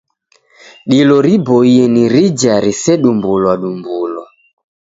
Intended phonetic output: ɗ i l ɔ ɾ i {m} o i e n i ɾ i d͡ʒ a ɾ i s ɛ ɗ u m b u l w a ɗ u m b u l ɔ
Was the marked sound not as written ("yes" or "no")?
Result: yes